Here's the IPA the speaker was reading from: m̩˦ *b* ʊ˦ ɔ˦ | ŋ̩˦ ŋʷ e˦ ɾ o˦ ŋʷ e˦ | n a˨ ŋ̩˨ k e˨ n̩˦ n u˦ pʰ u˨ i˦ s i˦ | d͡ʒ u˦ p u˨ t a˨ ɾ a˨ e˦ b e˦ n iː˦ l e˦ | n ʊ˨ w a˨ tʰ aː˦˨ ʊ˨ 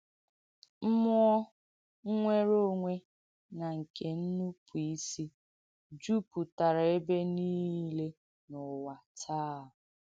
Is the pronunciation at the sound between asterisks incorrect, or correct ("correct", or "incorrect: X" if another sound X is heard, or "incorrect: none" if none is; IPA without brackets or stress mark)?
incorrect: m